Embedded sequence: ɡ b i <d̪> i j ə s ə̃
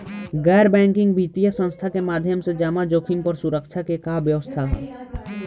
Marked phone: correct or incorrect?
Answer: incorrect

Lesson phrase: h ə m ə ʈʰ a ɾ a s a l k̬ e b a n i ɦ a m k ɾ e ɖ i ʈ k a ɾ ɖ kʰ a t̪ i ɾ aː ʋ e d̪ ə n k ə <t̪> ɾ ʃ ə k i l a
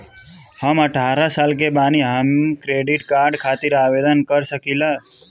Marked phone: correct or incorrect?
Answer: incorrect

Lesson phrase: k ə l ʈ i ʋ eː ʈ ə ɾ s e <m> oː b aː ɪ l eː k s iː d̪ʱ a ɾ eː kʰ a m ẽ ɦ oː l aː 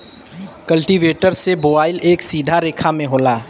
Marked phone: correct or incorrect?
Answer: incorrect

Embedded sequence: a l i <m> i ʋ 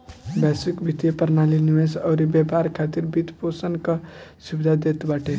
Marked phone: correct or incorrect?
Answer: incorrect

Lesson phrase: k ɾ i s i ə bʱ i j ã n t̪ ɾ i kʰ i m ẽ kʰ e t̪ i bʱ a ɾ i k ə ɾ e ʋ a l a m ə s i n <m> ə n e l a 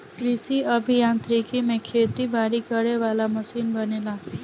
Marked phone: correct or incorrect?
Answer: incorrect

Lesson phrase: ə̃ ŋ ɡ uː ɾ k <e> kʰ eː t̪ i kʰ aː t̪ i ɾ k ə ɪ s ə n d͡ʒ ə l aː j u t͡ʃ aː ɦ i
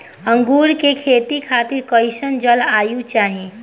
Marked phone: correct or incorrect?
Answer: correct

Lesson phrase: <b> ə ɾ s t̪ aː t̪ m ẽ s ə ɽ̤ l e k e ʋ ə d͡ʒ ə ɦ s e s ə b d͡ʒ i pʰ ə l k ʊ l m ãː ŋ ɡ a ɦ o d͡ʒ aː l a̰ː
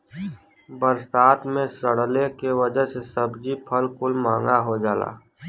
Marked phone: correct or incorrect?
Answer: correct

